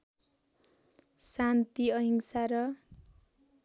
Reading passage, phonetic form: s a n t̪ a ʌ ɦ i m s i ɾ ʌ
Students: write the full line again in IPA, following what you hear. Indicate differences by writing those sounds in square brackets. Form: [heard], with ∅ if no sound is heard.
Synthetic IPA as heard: s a n t̪ [i] ʌ ɦ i [ŋ] s [a] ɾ ʌ